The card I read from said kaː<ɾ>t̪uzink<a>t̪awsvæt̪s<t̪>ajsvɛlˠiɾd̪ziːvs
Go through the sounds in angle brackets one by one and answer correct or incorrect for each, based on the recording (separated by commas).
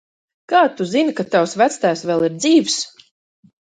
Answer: incorrect, correct, correct